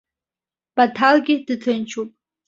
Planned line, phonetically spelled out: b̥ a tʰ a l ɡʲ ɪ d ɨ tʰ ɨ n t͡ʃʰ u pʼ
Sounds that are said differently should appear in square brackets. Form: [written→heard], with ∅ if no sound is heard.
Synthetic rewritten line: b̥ a tʰ a l ɡʲ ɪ d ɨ tʰ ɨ n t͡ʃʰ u pʼ